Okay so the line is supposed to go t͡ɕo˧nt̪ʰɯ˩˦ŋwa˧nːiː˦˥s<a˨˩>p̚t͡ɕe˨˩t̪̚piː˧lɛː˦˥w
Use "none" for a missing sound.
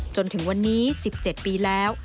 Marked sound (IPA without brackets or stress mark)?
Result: i˨˩